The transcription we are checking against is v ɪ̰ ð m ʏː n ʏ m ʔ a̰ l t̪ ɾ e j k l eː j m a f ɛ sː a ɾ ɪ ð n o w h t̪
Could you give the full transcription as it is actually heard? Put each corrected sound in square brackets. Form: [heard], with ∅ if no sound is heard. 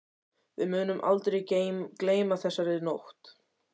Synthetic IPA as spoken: v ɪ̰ ð m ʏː n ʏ m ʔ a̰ l t̪ ɾ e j k l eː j m a [θ] ɛ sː a ɾ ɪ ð n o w h t̪

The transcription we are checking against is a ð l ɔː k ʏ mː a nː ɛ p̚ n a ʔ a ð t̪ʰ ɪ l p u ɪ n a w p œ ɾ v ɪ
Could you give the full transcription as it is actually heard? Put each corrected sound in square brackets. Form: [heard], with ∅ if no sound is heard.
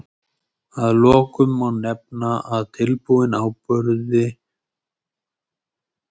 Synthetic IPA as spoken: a ð l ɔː k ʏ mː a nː ɛ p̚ n a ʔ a ð t̪ʰ ɪ l p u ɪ n a w p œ ɾ [ð] ɪ

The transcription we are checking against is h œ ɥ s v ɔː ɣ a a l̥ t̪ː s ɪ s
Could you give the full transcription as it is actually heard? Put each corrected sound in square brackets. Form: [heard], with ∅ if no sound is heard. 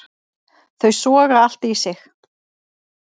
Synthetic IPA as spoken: [θ] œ ɥ s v ɔː ɣ a a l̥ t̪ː s ɪ [x]

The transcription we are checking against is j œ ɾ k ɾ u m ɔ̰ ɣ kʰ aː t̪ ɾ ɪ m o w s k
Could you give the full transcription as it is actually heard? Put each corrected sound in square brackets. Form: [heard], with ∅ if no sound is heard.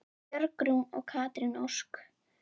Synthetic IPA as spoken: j œ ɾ k ɾ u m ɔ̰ ɣ kʰ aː t̪ ɾ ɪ [n] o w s k

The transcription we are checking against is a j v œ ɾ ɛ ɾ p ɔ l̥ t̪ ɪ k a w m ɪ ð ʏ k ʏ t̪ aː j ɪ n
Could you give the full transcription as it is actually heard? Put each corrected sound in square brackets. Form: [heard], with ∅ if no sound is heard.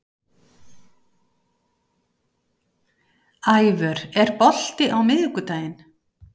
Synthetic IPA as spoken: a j v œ ɾ ɛ ɾ p ɔ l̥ t̪ ɪ [ʔ] a w m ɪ ð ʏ k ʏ t̪ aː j ɪ n

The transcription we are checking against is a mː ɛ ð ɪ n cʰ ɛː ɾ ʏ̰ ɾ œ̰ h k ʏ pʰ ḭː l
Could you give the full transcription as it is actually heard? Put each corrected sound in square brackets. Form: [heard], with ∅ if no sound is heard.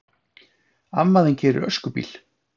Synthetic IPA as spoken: a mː [a] ð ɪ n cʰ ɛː ɾ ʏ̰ ɾ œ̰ [s] k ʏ [p] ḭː l

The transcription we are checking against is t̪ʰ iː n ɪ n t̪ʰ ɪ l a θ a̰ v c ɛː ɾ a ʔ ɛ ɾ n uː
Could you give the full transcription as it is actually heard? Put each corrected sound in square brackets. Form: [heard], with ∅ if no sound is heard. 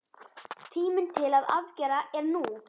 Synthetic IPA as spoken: t̪ʰ iː [m] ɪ n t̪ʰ ɪ l a [ð] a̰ v c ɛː ɾ a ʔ ɛ ɾ n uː

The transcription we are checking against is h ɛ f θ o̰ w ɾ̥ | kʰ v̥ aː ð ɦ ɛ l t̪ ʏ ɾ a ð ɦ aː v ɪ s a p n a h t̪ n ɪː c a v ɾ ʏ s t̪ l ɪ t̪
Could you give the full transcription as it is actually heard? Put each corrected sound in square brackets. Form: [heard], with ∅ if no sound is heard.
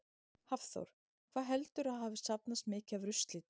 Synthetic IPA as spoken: h [a] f θ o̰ w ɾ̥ | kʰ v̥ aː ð ɦ ɛ l t̪ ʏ ɾ a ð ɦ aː v ɪ s a p n a [s] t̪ [m] ɪː c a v ɾ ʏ s t̪ l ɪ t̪

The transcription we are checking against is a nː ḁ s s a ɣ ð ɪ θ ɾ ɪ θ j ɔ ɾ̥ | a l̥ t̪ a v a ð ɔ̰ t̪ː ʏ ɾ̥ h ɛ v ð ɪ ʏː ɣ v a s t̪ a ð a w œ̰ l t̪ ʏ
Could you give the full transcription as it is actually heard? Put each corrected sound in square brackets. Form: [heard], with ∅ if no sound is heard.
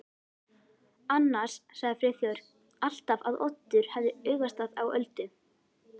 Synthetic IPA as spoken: a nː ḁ s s a ɣ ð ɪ [f] ɾ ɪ θ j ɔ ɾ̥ | a l̥ t̪ a v a ð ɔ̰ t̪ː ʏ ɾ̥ h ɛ v ð ɪ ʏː ɣ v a s t̪ a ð a w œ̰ l t̪ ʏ

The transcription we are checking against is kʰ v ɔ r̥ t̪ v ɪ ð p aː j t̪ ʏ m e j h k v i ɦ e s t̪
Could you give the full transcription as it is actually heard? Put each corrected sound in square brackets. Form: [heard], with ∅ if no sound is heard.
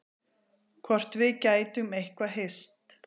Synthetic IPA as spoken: kʰ v ɔ r̥ t̪ v ɪ ð [c] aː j t̪ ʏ m e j h k v [a] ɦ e s t̪

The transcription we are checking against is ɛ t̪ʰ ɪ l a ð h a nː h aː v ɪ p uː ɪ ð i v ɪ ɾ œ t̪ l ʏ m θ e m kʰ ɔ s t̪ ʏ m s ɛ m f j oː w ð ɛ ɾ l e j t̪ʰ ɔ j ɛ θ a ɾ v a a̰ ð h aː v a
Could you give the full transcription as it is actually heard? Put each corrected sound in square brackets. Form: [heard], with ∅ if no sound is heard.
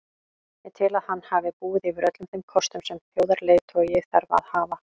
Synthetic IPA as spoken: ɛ t̪ʰ ɪ l a ð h a nː h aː v ɪ p uː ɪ ð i v ɪ ɾ œ t̪ l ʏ m θ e m kʰ ɔ s t̪ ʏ m s ɛ m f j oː w ð [a] ɾ l e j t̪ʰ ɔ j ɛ θ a ɾ v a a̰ ð h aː v a

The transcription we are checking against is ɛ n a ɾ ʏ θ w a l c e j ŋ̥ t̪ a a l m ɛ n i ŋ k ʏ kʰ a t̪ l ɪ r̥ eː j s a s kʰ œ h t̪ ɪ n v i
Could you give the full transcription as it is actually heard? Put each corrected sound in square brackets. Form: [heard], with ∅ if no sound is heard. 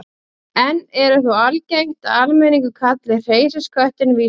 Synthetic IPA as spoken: ɛ n [ɛ] ɾ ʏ θ [u] a l c e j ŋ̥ t̪ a a l m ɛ n i ŋ k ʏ kʰ a t̪ l ɪ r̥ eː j s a s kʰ œ h t̪ ɪ n v i

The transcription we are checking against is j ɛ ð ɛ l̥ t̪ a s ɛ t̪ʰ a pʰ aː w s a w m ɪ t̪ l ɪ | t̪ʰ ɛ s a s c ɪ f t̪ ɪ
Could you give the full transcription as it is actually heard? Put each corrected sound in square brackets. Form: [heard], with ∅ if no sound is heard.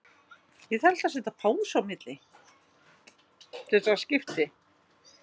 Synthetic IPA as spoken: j ɛ ð ɛ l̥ t̪ a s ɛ [t̪] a pʰ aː w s a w m ɪ t̪ l ɪ | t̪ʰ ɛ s a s c ɪ f t̪ ɪ

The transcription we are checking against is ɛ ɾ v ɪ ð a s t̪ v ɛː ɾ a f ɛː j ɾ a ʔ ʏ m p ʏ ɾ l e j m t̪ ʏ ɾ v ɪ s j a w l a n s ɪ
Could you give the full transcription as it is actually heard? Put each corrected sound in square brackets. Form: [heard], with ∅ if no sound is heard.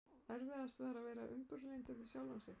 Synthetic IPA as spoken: ɛ ɾ v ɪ ð a s t̪ v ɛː ɾ a [v] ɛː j ɾ a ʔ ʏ m p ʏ ɾ l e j [n] t̪ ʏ ɾ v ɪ s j a w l a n s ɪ

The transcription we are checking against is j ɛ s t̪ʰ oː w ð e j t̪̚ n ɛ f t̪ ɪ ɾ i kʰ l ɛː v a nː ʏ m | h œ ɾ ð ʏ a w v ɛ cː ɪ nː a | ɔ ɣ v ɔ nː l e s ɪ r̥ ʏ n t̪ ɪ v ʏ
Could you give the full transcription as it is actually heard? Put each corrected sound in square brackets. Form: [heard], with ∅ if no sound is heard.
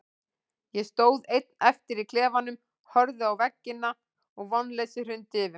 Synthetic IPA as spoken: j ɛ s [t̪] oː w ð e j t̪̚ n ɛ f t̪ ɪ ɾ i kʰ l ɛː v a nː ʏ m | h œ ɾ ð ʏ a w v ɛ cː ɪ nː a | ɔ ɣ v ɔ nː l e s ɪ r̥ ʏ n t̪ ɪ v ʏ

